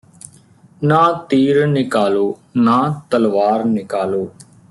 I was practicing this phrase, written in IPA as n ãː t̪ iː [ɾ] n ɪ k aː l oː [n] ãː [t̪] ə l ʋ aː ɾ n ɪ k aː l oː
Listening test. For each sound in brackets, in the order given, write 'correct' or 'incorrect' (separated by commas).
correct, correct, correct